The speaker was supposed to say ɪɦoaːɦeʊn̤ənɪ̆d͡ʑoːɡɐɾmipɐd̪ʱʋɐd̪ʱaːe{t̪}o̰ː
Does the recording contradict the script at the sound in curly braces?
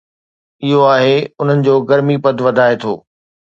yes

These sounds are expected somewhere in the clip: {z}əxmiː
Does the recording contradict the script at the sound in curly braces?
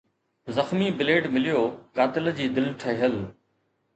no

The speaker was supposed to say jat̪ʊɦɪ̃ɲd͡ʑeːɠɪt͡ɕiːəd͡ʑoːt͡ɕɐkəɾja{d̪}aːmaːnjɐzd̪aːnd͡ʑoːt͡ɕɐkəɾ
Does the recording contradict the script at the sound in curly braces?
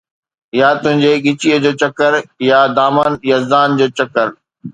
no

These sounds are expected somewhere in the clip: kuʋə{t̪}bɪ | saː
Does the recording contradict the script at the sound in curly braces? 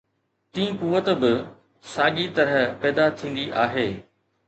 no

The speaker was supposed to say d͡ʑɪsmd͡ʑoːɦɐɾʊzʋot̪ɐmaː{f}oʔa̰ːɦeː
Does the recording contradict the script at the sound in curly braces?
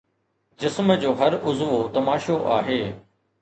yes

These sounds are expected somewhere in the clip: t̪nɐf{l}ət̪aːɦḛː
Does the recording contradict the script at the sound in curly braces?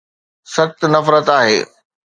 yes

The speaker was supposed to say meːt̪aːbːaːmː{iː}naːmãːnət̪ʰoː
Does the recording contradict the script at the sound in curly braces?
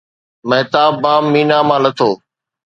no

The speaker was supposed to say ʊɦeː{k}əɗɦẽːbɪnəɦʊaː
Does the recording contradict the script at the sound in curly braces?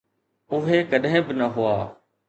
no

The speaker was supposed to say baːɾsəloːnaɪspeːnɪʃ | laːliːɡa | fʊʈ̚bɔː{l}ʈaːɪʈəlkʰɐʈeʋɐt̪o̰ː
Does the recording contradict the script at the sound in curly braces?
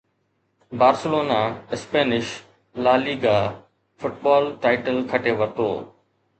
no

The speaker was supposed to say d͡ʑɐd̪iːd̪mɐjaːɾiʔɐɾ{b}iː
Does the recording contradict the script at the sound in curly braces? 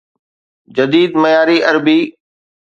no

